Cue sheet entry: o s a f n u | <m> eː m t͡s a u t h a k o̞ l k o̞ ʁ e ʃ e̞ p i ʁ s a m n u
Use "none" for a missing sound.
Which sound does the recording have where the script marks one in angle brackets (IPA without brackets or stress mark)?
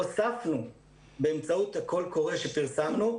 b